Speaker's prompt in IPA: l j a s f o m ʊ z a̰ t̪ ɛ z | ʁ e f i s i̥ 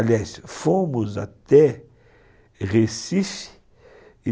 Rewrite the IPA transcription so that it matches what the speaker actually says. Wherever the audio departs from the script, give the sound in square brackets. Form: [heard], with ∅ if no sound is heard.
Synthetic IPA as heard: l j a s f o m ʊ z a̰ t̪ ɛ [∅] | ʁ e [s] i [f] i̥

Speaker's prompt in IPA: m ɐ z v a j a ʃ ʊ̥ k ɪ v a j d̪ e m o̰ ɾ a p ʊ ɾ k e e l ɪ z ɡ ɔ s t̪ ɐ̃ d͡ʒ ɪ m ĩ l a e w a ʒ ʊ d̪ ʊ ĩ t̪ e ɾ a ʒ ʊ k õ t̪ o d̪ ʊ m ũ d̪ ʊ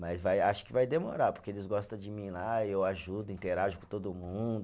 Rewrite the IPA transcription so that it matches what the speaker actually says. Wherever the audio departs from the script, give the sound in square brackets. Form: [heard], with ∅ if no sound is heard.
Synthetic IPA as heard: m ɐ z v a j a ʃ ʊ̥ k ɪ v a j d̪ e m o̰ ɾ a p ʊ ɾ k e e l ɪ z ɡ ɔ s t̪ ɐ̃ d͡ʒ ɪ m ĩ l a e w a ʒ [u] d̪ ʊ ĩ t̪ e ɾ a ʒ ʊ k õ t̪ o d̪ ʊ m ũ d̪ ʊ

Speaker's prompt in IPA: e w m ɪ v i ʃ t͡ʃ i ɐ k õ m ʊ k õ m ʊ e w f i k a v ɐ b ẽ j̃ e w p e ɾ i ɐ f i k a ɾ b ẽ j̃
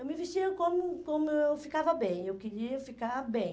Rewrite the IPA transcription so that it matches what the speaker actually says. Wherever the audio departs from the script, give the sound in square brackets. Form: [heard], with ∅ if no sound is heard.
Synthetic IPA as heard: e w m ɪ v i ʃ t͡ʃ i ɐ k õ m ʊ k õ m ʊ e w f i k a v ɐ b ẽ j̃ e w [k] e ɾ i ɐ f i k a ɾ b ẽ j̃

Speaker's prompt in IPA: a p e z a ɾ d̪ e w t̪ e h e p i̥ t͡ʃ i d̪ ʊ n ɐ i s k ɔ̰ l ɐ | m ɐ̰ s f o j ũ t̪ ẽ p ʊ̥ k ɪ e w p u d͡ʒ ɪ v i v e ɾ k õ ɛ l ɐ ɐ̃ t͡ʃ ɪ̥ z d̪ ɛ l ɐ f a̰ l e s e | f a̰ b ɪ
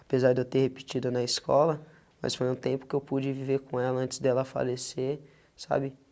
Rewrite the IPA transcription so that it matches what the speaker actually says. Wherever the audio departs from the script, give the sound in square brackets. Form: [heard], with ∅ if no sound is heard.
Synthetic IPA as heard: a p e z a ɾ d̪ e w t̪ e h e p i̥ t͡ʃ i d̪ ʊ n ɐ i s k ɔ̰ l ɐ | m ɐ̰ s f o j ũ t̪ ẽ p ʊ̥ k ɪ e w p u d͡ʒ ɪ v i v e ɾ k õ ɛ l ɐ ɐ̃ t͡ʃ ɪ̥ z d̪ ɛ l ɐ f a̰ l e s e | [s] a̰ b ɪ

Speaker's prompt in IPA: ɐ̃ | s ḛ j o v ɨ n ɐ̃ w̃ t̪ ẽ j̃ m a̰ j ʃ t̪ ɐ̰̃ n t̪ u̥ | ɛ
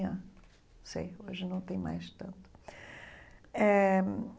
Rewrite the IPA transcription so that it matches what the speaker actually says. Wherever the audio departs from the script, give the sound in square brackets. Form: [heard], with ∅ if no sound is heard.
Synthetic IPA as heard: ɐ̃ | s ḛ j o [ʒ] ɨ n ɐ̃ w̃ t̪ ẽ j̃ m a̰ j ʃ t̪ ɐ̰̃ n t̪ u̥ | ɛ

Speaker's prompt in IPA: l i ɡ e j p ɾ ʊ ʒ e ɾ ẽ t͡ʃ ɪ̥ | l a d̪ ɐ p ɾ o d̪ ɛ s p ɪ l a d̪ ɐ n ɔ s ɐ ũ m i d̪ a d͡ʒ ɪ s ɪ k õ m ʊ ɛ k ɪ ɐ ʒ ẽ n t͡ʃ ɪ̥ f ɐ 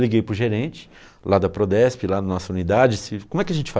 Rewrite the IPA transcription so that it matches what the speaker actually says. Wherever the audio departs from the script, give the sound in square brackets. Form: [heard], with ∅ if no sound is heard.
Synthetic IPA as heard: l i ɡ e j p ɾ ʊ ʒ e ɾ ẽ t͡ʃ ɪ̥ | l a d̪ ɐ p ɾ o d̪ ɛ s p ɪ l a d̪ ɐ n ɔ s ɐ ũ [n] i d̪ a d͡ʒ ɪ s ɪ k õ m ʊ ɛ k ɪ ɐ ʒ ẽ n t͡ʃ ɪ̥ f [a]

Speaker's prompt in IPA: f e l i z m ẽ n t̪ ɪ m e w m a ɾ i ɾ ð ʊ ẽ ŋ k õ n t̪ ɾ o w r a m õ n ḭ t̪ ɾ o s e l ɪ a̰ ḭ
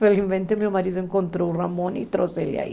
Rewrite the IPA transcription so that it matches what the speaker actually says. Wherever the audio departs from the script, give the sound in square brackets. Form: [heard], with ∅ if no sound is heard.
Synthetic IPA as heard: f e l i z m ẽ n t̪ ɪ m e w m a ɾ i [∅] ð ʊ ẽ ŋ k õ n t̪ ɾ o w r a m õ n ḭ t̪ ɾ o s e l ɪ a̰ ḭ

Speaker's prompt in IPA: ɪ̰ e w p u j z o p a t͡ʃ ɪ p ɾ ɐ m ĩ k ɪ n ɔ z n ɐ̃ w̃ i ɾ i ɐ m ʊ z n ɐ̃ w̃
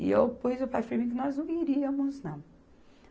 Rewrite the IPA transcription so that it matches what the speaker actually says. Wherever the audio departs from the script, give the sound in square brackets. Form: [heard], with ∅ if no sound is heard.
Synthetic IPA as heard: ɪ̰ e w p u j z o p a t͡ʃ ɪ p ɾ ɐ m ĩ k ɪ n ɔ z n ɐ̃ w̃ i ɾ i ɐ m ʊ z n ɐ̃ w̃

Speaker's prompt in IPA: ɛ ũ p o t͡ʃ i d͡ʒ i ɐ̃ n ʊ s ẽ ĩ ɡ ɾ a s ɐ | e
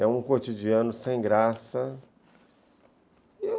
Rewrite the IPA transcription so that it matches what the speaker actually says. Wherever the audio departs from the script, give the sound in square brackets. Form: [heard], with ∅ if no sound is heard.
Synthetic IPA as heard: ɛ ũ [k] o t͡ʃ i d͡ʒ i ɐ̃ n ʊ s ẽ [j̃] ɡ ɾ a s ɐ | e

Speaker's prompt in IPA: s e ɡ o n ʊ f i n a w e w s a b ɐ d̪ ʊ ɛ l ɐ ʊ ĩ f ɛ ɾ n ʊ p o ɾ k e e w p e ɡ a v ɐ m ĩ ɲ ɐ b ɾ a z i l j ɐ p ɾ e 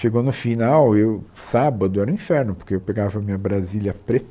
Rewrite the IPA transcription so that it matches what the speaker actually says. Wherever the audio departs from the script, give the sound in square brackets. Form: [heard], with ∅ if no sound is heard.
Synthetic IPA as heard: [ʃ] e ɡ o n ʊ f i n a w e w s a b ɐ d̪ ʊ ɛ [ɾ] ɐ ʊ ĩ f ɛ ɾ n ʊ p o ɾ k e e w p e ɡ a v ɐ m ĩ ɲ ɐ b ɾ a z i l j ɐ p ɾ e

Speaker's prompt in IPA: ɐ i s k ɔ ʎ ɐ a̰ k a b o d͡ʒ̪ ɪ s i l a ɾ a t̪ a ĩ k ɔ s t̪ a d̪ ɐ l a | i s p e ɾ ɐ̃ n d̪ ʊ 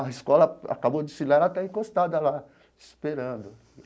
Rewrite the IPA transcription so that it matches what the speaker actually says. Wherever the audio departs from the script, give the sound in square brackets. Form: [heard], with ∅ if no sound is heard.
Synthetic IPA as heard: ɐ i s k ɔ [l] ɐ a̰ k a b o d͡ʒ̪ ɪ s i l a ɾ a t̪ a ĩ k [o] s t̪ a d̪ ɐ l a | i s p e ɾ ɐ̃ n d̪ ʊ

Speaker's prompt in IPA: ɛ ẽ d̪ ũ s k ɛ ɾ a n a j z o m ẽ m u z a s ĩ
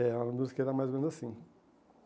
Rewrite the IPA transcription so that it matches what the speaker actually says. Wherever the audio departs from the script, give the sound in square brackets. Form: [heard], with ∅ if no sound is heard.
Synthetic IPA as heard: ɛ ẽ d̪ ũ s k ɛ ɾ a [m] a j z o m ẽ [n] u z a s ĩ

